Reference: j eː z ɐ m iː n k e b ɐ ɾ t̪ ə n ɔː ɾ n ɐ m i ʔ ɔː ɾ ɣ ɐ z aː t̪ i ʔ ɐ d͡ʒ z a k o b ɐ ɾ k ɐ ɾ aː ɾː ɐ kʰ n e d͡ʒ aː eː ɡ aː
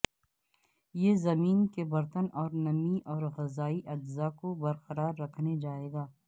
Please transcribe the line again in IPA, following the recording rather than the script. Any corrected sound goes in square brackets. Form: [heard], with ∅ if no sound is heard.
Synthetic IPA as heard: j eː z ɐ m iː n k e b ɐ ɾ t̪ ə n ɔː ɾ n ɐ m i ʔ ɔː ɾ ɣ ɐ z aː [∅] i ʔ ɐ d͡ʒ z a k o b ɐ ɾ [q] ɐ ɾ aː ɾː ɐ kʰ n e d͡ʒ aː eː ɡ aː